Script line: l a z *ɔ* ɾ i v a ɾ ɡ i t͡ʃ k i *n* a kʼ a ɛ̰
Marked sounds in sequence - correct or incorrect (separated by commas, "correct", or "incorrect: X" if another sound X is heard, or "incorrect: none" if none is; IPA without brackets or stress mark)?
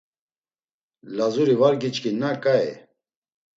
incorrect: u, correct